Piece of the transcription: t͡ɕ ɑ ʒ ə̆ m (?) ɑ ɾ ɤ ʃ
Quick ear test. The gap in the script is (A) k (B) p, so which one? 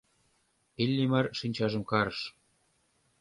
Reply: A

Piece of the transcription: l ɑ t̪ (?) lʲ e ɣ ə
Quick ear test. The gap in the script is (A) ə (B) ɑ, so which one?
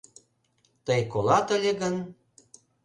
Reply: A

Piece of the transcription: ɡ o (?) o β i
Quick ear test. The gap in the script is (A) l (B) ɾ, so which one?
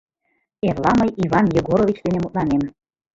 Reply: B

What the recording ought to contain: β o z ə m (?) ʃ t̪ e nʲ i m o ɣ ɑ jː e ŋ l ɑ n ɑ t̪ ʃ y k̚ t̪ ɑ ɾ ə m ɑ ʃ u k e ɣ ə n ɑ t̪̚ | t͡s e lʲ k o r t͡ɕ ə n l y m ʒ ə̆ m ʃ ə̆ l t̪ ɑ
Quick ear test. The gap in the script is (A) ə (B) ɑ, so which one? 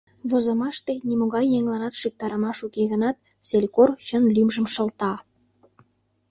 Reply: B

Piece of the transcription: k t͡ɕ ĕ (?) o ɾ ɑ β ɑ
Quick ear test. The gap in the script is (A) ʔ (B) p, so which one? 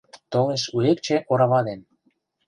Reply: A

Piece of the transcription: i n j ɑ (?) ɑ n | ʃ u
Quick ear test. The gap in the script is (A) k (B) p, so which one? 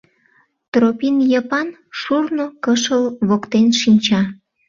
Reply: B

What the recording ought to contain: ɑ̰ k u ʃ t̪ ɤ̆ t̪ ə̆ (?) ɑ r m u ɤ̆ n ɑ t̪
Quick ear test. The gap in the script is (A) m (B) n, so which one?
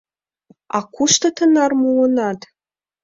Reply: B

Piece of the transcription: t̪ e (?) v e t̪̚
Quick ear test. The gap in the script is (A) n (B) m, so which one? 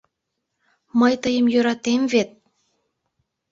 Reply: B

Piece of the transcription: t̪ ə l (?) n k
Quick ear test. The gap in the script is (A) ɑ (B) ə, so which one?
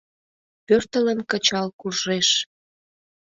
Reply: B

